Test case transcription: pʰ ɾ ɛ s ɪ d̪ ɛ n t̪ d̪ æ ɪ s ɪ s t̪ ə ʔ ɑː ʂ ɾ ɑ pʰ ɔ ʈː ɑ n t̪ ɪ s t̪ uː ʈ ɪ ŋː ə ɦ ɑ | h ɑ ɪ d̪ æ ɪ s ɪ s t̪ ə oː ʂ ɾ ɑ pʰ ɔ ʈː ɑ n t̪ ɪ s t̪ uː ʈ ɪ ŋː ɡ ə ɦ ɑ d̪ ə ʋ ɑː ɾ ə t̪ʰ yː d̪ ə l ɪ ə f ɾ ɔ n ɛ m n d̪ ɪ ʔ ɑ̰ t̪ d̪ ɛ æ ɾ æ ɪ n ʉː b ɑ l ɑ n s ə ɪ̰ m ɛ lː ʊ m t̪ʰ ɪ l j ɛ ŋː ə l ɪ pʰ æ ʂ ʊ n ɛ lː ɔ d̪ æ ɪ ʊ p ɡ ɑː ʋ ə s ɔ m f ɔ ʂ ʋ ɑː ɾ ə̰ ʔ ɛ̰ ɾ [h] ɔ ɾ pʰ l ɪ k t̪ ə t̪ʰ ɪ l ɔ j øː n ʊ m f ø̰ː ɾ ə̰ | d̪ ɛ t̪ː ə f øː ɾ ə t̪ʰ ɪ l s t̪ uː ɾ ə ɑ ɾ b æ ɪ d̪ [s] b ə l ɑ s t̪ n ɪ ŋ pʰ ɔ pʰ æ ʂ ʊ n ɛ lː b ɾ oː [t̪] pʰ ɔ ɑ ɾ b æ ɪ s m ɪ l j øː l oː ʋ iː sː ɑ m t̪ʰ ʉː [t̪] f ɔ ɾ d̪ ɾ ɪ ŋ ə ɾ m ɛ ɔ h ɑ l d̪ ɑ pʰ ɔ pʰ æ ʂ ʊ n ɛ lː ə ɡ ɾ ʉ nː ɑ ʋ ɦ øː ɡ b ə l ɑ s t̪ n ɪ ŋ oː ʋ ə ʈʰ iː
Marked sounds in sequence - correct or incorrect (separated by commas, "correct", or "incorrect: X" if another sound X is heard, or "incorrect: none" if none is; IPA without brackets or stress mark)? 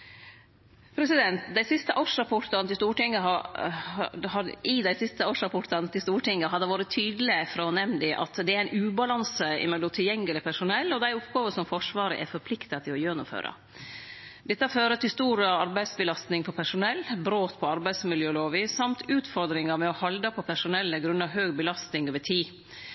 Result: incorrect: f, correct, correct, correct